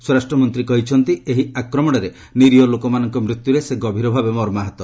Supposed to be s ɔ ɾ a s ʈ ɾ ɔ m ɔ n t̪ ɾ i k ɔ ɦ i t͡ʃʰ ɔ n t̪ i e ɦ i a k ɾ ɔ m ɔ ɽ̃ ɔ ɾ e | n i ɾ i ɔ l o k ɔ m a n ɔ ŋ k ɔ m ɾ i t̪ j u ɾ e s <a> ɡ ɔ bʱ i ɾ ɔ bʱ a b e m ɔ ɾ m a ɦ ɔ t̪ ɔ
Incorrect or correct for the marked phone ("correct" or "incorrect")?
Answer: incorrect